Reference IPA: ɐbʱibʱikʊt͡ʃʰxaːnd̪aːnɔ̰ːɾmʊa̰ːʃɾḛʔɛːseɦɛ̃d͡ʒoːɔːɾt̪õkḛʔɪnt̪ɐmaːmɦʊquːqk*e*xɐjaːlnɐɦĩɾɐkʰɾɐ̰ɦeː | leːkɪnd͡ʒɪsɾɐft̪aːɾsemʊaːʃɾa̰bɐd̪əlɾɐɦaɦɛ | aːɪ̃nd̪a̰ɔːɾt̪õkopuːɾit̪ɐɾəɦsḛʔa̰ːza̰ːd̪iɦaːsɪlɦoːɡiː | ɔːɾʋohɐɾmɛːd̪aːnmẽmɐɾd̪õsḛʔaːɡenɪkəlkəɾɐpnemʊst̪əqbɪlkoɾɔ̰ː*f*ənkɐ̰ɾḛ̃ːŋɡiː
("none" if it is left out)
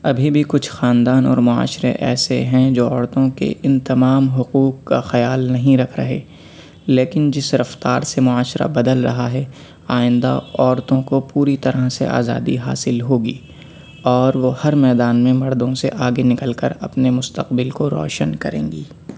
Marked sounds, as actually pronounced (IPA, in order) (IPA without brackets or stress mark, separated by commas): a, ʃ